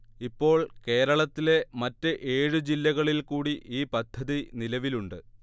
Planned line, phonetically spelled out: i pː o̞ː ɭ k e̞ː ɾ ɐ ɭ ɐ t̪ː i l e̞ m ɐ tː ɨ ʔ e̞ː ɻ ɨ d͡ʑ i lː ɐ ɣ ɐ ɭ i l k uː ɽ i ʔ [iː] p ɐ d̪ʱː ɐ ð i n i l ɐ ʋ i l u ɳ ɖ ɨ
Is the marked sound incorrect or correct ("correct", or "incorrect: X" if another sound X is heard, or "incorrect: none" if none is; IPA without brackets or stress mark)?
correct